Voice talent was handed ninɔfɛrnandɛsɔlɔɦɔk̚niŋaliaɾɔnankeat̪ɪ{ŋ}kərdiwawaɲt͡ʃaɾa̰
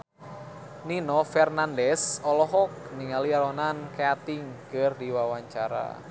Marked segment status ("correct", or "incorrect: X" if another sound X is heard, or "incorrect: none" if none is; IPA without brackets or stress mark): correct